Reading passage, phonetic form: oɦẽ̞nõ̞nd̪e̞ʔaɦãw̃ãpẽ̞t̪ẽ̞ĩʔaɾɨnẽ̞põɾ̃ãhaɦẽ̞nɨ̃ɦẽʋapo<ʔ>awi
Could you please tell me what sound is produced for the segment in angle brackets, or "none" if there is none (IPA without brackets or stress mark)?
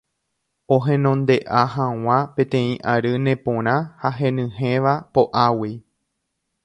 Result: ʔ